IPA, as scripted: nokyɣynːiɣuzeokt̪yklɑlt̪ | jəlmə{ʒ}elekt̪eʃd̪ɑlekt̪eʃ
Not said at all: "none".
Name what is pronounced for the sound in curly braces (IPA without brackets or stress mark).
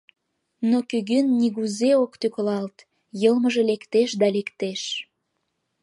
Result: ʒ